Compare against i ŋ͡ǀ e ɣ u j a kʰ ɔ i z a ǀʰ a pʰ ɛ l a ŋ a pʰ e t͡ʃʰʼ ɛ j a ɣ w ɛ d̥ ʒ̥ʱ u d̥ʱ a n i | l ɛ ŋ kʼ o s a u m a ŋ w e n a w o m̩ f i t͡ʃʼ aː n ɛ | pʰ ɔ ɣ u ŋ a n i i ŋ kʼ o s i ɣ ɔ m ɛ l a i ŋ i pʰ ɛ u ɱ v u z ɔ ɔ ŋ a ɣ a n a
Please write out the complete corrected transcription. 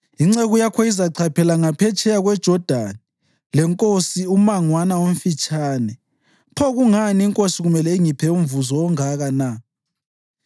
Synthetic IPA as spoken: i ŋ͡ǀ e ɣ u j a kʰ ɔ i z a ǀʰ a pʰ ɛ l a ŋ a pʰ ɛ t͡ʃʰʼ ɛ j a ɣ w ɛ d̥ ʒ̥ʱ ɔ d̥ʱ a n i | l ɛ ŋ kʼ o s i u m a ŋ w a n a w o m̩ f i t͡ʃʼ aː n ɛ | pʰ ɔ ɣ u ŋ a n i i ŋ kʼ o s i ɣ u m ɛ l ɛ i ŋ i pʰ ɛ u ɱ v u z ɔ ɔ ŋ a ɣ a n a